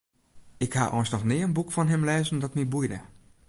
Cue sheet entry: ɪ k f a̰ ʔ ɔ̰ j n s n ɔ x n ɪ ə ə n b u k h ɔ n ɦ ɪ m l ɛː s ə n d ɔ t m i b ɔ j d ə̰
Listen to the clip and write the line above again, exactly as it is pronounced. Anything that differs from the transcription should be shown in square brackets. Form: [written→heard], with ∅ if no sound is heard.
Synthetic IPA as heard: ɪ k [f→h] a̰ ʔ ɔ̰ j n s n ɔ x n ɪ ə ə n b u k [h→f] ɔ n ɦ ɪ m l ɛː [s→z] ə n d ɔ t m i b [ɔ→u] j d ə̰